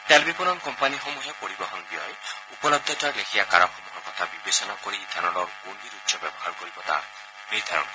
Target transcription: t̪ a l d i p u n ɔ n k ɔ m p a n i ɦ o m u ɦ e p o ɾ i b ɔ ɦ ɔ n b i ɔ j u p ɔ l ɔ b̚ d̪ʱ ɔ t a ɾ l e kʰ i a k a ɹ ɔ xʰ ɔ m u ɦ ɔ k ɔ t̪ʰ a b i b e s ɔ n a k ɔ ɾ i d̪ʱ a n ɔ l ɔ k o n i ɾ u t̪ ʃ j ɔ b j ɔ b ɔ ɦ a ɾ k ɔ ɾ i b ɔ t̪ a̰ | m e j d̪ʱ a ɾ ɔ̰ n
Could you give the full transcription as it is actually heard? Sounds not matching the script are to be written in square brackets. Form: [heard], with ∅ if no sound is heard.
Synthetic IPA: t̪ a l [b] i p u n ɔ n k ɔ m p a n i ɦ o m u ɦ e p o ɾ i b ɔ ɦ ɔ n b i ɔ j u p ɔ l ɔ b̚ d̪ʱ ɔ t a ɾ l e kʰ i a k a [ɾ] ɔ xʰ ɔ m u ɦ ɔ k ɔ t̪ʰ a b i b e s ɔ n a k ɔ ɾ i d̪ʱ a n ɔ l ɔ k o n i ɾ u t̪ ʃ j ɔ b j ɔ b ɔ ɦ a ɾ k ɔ ɾ i b ɔ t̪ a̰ | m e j d̪ʱ a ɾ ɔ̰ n